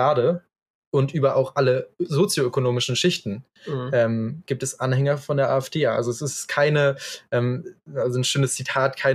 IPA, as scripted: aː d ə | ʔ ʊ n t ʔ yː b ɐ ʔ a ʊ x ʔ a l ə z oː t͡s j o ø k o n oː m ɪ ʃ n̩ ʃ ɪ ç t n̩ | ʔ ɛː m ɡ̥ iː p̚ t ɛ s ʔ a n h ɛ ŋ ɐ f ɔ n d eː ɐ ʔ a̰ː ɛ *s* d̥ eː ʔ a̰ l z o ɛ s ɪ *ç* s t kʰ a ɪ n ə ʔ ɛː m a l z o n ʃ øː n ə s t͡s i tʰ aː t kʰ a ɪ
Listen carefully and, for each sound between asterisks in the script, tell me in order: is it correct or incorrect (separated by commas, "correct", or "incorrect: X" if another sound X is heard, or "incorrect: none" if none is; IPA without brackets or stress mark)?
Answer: incorrect: f, incorrect: none